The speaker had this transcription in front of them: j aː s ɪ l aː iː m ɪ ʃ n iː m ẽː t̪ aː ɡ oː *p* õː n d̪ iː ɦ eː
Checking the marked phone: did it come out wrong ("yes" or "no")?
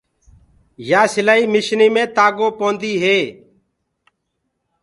no